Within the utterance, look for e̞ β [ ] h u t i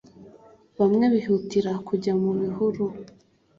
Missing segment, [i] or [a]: i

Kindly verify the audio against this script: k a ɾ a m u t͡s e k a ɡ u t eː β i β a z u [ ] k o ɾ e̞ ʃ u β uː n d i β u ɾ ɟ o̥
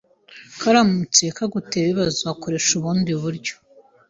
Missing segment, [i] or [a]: a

